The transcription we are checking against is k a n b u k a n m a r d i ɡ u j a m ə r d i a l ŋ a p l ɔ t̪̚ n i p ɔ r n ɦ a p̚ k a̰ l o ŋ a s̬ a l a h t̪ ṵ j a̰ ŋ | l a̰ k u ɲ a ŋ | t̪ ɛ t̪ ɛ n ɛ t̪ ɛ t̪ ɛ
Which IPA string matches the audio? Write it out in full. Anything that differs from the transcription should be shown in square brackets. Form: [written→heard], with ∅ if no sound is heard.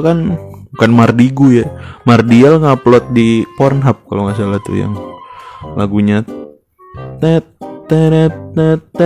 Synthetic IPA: k a n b u k a n m a r d i ɡ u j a m [ə→a] r d i a l ŋ a p l ɔ t̪̚ [n→d] i p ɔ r n ɦ a p̚ k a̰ l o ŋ a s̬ a l a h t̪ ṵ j a̰ ŋ | l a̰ [k→ɡ] u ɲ a [ŋ→∅] | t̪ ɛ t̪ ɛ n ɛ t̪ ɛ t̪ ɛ